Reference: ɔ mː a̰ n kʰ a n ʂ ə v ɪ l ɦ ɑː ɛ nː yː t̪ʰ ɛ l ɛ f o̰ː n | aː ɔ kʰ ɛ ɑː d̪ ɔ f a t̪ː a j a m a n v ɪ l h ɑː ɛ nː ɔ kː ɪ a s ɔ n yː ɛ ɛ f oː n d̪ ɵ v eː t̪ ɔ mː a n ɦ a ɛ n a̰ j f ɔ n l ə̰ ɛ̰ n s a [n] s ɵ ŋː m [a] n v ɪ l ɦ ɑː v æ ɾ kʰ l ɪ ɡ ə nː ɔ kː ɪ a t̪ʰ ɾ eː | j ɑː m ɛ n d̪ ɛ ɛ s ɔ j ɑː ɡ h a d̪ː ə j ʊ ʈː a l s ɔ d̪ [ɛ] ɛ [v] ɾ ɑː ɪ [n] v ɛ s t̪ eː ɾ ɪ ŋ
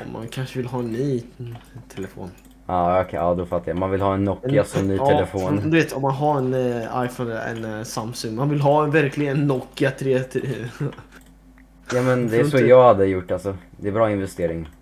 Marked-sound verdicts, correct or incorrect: incorrect: m, correct, correct, incorrect: b, correct

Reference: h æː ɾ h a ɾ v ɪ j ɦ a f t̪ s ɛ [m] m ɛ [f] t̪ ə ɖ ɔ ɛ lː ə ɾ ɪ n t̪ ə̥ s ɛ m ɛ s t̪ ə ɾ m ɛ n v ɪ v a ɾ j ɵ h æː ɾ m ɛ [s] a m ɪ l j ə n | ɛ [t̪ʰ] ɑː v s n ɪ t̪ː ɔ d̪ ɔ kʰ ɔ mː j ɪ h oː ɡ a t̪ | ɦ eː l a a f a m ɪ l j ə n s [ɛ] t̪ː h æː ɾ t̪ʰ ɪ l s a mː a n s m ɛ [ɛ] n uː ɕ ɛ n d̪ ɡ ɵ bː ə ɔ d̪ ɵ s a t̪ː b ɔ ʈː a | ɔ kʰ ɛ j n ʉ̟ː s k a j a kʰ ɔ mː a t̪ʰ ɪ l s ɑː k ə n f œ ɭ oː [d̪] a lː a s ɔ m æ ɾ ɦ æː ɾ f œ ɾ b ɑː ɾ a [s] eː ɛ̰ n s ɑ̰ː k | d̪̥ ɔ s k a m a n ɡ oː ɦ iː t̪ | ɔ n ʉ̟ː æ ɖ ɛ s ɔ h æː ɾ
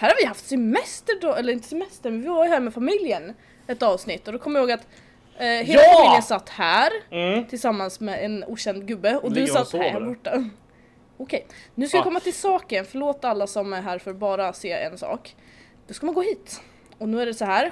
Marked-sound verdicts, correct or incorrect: correct, incorrect: s, incorrect: f, incorrect: t̪, incorrect: a, correct, incorrect: t̪, correct

